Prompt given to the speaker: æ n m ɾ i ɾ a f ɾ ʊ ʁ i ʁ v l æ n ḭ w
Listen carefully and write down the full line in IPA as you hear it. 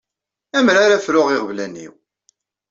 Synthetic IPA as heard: æ m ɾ a ɾ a f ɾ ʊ ʁ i ʁ v l æ n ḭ w